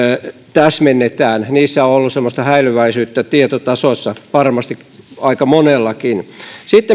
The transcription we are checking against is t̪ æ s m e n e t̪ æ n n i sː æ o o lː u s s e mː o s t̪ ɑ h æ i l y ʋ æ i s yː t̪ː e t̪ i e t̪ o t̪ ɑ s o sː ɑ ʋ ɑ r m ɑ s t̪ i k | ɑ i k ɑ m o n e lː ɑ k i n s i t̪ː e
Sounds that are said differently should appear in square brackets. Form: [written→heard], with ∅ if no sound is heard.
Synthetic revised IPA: t̪ æ s m e [n→nː] e t̪ [æ→æː] n n [i→iː] sː æ o o lː u s s e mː o s t̪ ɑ h æ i l y ʋ æ i s yː t̪ː [e→æ] t̪ i e t̪ o t̪ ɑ s o sː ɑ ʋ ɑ r m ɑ s t̪ i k | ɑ i k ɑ m o n e lː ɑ k i n s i t̪ː e